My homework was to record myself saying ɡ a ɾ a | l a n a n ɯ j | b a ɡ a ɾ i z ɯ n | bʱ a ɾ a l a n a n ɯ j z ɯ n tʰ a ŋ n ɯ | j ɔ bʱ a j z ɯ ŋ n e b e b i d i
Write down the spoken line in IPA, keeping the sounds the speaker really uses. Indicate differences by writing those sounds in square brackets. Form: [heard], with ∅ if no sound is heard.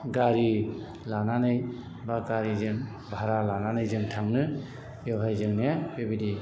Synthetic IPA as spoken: ɡ a ɾ [i] | l a n a n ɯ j | b a ɡ a ɾ i z ɯ [ŋ] | bʱ a ɾ a l a n a n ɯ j z ɯ [ŋ] tʰ a ŋ n ɯ | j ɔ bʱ a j z ɯ ŋ n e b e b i d i